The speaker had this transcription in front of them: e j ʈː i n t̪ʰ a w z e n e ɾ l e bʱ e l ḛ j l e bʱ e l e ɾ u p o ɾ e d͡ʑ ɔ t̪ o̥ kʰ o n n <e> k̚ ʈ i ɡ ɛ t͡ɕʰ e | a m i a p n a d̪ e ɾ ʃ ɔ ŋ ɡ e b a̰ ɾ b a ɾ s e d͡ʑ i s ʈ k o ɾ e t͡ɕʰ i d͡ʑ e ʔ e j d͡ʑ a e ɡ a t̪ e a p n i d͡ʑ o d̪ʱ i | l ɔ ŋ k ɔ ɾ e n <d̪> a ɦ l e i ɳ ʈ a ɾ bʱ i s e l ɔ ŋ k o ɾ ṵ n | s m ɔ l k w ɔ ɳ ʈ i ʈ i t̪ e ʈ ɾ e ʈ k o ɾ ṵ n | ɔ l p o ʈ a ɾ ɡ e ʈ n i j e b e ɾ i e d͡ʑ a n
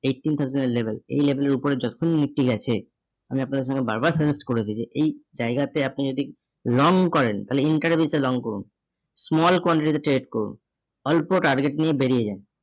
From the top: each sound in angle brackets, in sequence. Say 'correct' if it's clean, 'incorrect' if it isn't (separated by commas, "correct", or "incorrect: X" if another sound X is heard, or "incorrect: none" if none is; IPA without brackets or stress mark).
incorrect: i, incorrect: t̪